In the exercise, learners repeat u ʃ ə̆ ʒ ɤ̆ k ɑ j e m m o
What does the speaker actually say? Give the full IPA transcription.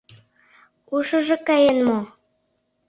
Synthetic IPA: u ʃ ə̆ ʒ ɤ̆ k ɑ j e n m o